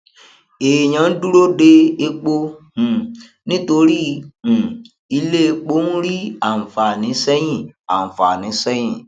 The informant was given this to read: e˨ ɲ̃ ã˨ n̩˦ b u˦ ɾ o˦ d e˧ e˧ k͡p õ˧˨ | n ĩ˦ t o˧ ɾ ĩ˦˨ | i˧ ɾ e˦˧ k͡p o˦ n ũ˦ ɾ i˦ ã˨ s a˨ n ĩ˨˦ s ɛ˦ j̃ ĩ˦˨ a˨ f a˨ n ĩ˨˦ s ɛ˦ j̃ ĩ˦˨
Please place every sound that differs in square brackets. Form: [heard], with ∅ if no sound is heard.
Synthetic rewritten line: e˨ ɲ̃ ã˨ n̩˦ [d] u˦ ɾ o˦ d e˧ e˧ k͡p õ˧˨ | n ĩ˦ t o˧ ɾ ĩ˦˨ | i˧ [l] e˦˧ k͡p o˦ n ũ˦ ɾ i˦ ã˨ [f] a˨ n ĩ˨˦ s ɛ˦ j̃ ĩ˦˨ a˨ f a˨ n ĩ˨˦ s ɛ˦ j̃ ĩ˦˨